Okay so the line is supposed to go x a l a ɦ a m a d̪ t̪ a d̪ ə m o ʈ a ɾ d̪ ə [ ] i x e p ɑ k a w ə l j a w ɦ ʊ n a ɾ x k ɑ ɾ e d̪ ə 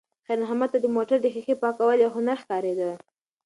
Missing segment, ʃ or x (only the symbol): x